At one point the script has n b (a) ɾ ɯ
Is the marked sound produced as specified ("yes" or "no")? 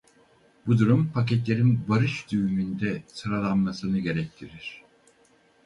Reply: yes